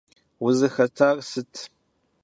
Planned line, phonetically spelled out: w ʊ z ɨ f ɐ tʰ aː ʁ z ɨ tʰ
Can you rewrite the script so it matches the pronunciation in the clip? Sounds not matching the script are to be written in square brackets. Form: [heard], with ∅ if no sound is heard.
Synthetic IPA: w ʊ z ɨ [x] ɐ tʰ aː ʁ [s] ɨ tʰ